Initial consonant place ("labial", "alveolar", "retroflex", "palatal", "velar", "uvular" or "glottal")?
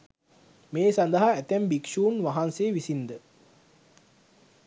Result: labial